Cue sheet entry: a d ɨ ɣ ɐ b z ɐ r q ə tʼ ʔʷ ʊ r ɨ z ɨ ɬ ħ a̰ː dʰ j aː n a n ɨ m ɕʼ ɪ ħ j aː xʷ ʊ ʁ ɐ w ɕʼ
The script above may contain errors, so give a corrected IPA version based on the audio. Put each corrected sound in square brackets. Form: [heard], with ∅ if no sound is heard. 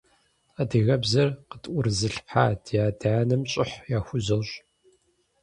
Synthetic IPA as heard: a d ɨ ɣ ɐ b z ɐ r q ə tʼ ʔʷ ʊ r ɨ z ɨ ɬ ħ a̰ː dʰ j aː [d] a n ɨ m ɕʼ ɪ ħ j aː xʷ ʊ [z] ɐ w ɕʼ